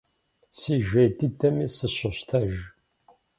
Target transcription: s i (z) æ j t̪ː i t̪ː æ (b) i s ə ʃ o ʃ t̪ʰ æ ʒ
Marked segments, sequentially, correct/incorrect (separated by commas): incorrect, incorrect